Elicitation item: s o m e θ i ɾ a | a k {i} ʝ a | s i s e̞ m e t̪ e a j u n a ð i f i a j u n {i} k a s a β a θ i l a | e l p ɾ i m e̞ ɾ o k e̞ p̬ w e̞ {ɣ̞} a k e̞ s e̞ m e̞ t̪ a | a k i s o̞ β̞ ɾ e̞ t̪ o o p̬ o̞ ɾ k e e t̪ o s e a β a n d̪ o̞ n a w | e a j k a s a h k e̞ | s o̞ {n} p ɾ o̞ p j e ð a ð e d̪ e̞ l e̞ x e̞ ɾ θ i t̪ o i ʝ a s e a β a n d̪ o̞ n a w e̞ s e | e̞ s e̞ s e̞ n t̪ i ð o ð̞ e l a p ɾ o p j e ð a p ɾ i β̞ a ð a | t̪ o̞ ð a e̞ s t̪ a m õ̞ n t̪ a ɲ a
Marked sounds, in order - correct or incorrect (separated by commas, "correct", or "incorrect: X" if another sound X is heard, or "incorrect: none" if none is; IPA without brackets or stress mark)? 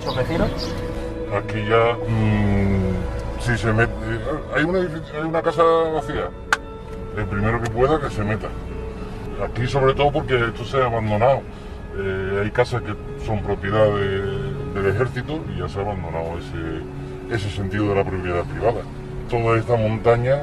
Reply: correct, incorrect: a, incorrect: ð̞, incorrect: m